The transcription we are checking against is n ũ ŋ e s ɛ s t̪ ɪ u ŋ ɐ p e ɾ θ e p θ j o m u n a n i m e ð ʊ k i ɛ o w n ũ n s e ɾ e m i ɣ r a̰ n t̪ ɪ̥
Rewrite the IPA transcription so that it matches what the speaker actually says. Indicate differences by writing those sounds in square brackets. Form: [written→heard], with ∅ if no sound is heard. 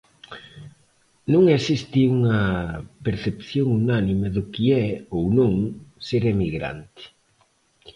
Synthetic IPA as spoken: n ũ ŋ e s [ɛ→i] s t̪ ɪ u ŋ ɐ p e ɾ θ e p θ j o [m→ŋ] u n a n i m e ð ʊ k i ɛ o w n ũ [n→ŋ] s e ɾ e m i ɣ [r→ɾ] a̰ n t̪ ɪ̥